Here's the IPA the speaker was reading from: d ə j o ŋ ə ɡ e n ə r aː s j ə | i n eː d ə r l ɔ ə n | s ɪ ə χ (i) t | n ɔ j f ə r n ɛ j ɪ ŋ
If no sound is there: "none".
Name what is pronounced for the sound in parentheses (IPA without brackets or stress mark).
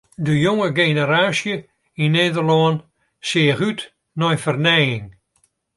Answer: y